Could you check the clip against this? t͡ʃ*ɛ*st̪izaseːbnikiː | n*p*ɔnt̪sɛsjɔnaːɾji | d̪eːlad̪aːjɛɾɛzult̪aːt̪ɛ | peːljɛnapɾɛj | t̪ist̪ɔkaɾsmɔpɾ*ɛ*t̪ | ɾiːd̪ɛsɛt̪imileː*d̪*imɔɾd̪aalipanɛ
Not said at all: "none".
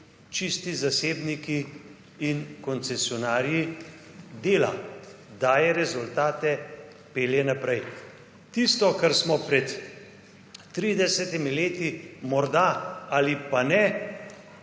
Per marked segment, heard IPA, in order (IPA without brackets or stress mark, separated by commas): i, k, ɛ, t̪